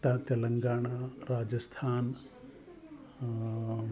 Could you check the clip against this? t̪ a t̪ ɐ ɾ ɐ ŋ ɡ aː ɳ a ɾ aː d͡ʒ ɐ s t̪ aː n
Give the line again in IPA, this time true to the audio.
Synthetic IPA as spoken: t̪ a t̪ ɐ l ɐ ŋ ɡ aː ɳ a ɾ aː d͡ʒ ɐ s t̪ʰ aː n